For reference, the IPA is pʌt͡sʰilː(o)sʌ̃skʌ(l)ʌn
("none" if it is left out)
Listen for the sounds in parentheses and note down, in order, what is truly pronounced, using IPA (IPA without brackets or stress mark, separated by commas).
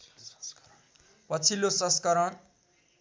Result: o, ɾ